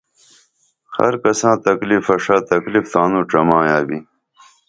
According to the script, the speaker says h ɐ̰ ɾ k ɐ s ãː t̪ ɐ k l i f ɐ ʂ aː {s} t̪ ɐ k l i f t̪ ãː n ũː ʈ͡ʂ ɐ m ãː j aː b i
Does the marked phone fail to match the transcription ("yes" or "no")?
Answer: yes